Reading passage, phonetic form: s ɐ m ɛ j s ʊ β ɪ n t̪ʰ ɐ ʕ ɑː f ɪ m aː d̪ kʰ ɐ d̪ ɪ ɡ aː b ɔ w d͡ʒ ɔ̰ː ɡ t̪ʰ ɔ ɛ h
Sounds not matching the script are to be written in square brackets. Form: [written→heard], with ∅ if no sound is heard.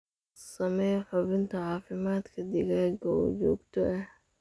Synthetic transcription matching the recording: s ɐ m ɛ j [s→ħ] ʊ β ɪ n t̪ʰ ɐ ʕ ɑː f ɪ m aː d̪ kʰ ɐ d̪ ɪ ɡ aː [b→ɡ] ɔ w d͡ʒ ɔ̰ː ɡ t̪ʰ ɔ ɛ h

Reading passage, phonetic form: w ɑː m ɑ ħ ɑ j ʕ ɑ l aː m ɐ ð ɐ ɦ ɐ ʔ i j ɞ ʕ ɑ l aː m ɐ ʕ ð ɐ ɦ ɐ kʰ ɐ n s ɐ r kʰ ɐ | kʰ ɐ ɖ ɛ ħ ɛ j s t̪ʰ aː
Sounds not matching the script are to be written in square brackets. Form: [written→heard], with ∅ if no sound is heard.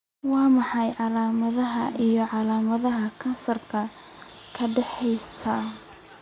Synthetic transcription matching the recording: w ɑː m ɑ ħ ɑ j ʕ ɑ l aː m ɐ ð ɐ ɦ ɐ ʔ i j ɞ ʕ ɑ l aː m ɐ [ʕ→∅] ð ɐ ɦ ɐ kʰ ɐ n s ɐ r kʰ ɐ | kʰ ɐ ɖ ɛ ħ ɛ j s t̪ʰ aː

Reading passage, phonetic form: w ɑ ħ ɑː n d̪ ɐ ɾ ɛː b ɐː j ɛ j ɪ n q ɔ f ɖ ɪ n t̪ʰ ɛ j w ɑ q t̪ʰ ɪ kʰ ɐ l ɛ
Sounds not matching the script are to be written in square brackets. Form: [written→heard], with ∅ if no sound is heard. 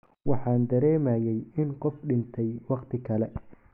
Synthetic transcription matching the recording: w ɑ ħ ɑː n d̪ ɐ ɾ ɛː [b→m] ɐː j ɛ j ɪ n q ɔ f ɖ ɪ n t̪ʰ ɛ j w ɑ q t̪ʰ ɪ kʰ ɐ l ɛ

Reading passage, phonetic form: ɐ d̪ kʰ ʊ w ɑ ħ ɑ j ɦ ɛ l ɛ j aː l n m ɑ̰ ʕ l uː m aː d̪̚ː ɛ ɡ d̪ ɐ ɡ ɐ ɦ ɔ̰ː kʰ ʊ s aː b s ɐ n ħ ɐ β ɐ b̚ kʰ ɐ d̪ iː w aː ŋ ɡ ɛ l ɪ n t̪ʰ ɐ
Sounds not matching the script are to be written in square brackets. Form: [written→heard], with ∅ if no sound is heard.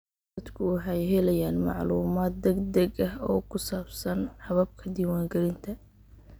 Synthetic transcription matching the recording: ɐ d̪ kʰ ʊ w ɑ ħ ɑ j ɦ ɛ l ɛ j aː [l→∅] n m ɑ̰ ʕ l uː m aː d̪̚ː ɛ ɡ d̪ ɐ ɡ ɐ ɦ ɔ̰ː kʰ ʊ s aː b s ɐ n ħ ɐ β ɐ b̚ kʰ ɐ d̪ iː w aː ŋ ɡ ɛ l ɪ n t̪ʰ ɐ

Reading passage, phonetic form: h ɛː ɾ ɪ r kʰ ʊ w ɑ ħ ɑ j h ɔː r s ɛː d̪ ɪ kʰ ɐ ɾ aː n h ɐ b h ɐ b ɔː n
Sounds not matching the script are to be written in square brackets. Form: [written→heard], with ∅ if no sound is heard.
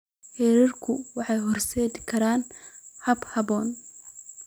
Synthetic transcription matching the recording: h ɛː ɾ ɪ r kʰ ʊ w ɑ ħ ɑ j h [ɔː→ɔ] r s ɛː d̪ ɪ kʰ ɐ ɾ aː n h ɐ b h ɐ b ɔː n

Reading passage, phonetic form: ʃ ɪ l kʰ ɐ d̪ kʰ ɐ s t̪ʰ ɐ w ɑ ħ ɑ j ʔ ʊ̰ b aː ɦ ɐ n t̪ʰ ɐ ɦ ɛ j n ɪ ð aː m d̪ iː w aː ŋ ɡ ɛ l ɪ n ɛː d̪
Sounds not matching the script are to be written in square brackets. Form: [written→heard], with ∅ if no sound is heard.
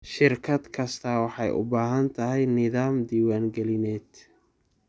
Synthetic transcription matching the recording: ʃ ɪ [l→r] kʰ ɐ d̪ kʰ ɐ s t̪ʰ ɐ w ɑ ħ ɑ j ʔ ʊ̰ b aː ɦ ɐ n t̪ʰ ɐ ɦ ɛ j n ɪ ð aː m d̪ iː w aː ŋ ɡ ɛ l ɪ n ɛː d̪

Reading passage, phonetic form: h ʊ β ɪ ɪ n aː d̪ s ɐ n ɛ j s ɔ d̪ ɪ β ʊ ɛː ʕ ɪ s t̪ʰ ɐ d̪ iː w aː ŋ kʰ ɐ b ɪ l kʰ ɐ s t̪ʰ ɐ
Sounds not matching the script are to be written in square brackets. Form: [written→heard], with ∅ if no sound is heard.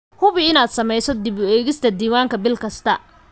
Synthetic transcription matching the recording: h ʊ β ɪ ɪ n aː d̪ s ɐ [n→m] ɛ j s ɔ d̪ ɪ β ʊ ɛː [ʕ→ɣ] ɪ s t̪ʰ ɐ d̪ iː w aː ŋ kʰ ɐ b ɪ l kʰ ɐ s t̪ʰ ɐ

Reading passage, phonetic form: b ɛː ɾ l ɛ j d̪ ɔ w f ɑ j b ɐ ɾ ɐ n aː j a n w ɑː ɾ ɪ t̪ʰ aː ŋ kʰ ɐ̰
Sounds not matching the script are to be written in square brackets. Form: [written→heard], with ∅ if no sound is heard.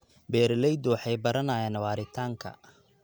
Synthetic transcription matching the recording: b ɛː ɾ l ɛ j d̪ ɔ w [f→ħ] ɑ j b ɐ ɾ ɐ n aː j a n w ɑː ɾ ɪ t̪ʰ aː ŋ kʰ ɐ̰

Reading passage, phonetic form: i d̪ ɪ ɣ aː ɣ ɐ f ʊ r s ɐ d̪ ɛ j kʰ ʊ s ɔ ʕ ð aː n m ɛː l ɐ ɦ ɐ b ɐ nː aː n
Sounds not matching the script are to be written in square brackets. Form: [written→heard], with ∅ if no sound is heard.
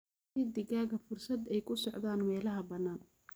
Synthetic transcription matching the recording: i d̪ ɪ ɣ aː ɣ ɐ f ʊ r s ɐ d̪ ɛ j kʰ ʊ s ɔ ʕ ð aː n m ɛː l ɐ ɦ ɐ b ɐ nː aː n

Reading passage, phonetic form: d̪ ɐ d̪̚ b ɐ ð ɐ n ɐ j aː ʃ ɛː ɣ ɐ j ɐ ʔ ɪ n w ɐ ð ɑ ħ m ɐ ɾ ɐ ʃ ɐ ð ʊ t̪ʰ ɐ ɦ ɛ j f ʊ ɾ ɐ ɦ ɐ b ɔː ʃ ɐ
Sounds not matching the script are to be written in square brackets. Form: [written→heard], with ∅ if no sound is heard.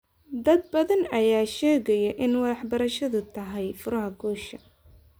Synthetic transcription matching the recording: d̪ ɐ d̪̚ b ɐ ð ɐ n ɐ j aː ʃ ɛː ɣ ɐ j ɐ ʔ ɪ n w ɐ ð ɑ ħ [m→b] ɐ ɾ ɐ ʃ ɐ ð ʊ t̪ʰ ɐ ɦ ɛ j f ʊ ɾ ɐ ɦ ɐ [b→ɡ] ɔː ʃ ɐ

